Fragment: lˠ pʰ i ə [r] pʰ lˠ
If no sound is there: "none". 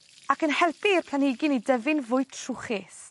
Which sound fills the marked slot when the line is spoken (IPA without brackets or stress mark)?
r